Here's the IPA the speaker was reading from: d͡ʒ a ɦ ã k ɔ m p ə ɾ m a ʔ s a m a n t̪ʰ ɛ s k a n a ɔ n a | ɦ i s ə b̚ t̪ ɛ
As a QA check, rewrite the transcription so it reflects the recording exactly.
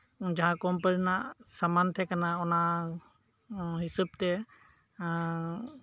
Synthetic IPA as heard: d͡ʒ a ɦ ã k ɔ m p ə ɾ n a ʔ s a m a n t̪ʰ ɛ k a n a ɔ n a | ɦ i s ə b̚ t̪ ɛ